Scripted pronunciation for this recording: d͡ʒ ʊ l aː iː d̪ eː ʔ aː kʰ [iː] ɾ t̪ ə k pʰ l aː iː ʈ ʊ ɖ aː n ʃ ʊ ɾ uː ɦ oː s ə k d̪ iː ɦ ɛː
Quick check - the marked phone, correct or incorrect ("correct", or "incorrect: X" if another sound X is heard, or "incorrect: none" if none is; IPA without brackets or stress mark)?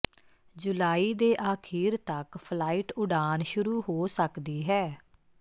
correct